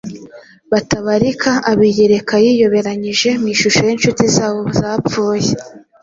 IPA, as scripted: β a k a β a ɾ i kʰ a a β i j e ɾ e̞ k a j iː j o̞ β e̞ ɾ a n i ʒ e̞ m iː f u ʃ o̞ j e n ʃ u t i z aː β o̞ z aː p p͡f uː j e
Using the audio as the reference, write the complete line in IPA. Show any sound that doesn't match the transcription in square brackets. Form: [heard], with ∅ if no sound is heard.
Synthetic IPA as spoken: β a [t] a β a ɾ i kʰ a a β i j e ɾ e̞ k a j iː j o̞ β e̞ ɾ a [ɲ] i ʒ e̞ m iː [ʃ] u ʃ o̞ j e n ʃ u t i z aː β o̞ z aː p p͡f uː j e